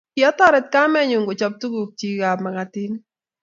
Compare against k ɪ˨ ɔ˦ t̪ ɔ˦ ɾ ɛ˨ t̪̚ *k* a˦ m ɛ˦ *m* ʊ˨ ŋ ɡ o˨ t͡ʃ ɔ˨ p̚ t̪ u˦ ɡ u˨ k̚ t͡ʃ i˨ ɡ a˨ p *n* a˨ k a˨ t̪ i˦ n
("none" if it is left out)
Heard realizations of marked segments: k, ɲ, m

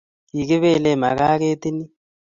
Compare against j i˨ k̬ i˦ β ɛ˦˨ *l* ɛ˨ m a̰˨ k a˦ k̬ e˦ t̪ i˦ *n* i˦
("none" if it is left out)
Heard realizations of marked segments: l, n

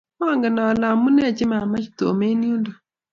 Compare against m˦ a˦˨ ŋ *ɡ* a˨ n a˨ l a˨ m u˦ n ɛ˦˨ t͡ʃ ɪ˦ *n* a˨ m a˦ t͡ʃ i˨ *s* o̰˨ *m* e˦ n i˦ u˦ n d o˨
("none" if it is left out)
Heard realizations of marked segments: ɡ, m, t, m

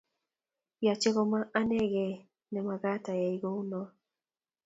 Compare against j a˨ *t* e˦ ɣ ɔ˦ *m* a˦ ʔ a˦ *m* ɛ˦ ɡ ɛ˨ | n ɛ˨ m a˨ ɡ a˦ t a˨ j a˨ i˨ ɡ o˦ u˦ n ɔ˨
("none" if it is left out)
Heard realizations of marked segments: t͡ʃ, m, n

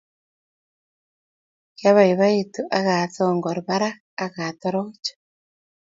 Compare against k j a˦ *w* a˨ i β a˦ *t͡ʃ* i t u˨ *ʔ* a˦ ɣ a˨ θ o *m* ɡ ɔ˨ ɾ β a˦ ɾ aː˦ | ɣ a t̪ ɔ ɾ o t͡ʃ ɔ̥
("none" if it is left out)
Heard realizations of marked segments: β, none, ʔ, ŋ

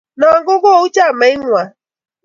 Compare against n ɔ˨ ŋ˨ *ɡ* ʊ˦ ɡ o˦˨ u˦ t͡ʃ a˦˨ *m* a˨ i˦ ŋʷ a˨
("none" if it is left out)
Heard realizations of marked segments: ɡ, m

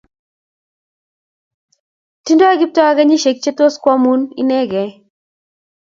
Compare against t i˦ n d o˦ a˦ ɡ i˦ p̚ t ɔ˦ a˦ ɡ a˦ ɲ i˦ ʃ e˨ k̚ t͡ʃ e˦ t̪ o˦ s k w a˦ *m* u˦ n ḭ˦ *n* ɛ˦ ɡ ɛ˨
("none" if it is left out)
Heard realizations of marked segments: m, n

